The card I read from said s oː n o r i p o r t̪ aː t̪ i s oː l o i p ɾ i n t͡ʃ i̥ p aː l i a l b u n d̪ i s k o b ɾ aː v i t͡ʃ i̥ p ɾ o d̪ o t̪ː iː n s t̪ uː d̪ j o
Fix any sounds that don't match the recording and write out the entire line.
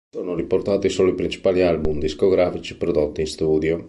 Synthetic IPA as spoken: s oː n o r i p o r t̪ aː t̪ i s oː l o i p ɾ i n t͡ʃ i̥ p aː l i a l b u m d̪ i s k o ɡ ɾ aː f i t͡ʃ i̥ p ɾ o d̪ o t̪ː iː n s t̪ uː d̪ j o